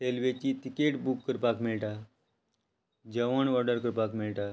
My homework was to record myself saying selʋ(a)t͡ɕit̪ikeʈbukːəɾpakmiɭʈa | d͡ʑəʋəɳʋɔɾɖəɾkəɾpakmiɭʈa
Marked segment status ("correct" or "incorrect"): incorrect